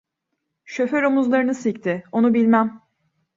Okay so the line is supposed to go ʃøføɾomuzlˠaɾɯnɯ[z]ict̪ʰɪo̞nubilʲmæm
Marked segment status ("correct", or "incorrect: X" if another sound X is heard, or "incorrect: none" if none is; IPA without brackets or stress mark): incorrect: s